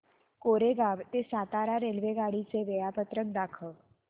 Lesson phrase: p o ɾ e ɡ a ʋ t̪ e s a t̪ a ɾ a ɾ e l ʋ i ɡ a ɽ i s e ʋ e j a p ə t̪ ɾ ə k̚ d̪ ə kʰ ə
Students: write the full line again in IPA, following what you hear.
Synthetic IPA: k o ɾ e ɡ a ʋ t̪ e s a t̪ a ɾ a ɾ e l ʋ e ɡ a ɽ i t͡s e ʋ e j a p ə t̪ ɾ ə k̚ d̪ a kʰ ə